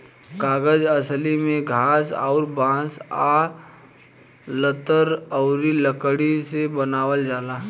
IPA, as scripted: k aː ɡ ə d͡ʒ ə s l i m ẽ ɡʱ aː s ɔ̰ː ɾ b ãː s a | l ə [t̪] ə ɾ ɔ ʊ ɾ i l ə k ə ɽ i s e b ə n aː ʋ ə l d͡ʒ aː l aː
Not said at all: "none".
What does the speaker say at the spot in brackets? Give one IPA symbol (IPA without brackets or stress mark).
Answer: t̪